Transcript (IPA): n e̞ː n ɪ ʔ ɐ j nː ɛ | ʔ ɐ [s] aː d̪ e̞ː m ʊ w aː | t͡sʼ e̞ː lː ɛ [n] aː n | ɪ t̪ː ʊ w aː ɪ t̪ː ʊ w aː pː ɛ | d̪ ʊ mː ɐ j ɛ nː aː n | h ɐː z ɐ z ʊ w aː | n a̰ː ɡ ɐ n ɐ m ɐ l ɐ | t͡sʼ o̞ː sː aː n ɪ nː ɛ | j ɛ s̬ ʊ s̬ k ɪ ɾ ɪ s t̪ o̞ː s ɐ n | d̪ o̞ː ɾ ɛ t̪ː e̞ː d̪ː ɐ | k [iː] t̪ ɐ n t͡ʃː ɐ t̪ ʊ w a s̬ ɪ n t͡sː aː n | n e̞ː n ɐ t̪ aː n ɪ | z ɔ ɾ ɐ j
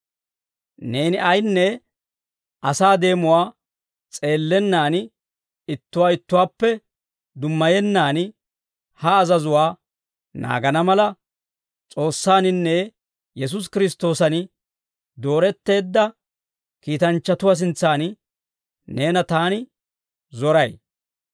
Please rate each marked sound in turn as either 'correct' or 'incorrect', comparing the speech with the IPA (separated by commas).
correct, incorrect, correct